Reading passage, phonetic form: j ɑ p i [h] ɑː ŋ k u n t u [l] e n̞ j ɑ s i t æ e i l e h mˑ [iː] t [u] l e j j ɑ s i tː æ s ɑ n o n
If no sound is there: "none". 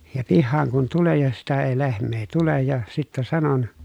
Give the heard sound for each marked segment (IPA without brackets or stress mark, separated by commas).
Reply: hː, l, eː, u